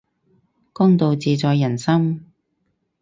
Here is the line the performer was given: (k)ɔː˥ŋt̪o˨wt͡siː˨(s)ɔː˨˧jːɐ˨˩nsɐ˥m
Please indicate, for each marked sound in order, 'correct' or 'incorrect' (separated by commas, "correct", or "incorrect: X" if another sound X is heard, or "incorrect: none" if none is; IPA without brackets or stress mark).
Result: correct, incorrect: t͡s